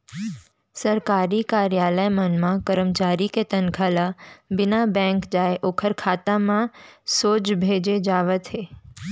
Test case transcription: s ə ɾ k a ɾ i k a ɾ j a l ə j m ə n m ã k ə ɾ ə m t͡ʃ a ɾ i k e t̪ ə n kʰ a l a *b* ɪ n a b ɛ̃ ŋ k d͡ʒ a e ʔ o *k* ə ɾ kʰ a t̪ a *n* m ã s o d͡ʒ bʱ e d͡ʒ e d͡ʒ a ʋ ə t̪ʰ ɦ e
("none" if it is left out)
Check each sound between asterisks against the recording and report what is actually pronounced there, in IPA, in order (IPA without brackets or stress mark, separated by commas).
b, kʰ, none